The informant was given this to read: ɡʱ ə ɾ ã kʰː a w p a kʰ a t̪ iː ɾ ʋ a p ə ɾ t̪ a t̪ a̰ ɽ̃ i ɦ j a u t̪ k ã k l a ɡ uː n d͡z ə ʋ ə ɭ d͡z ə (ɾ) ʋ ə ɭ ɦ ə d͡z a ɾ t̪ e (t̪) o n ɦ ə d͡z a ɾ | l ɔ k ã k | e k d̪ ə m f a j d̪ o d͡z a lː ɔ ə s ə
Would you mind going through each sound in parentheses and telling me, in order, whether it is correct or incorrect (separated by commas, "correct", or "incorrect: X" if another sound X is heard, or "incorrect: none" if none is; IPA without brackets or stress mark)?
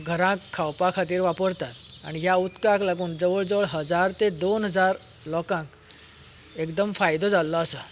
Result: incorrect: none, incorrect: d̪